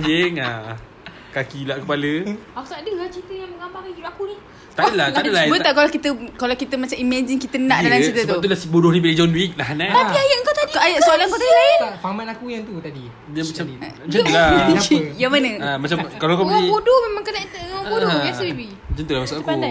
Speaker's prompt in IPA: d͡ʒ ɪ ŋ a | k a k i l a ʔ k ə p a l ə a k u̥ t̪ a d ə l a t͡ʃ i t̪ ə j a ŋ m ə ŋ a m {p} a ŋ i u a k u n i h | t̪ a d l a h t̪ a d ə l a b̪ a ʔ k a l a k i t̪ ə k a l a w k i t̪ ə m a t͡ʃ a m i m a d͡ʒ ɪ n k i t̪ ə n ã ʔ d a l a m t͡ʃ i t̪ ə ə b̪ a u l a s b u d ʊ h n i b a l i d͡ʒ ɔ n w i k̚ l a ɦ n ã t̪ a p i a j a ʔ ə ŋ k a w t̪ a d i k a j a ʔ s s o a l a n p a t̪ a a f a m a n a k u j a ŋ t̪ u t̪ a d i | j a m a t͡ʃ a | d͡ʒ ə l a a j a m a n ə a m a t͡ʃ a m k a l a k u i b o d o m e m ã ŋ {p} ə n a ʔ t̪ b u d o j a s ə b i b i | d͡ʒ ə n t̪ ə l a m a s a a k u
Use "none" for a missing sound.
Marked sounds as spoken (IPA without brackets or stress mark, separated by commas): b, k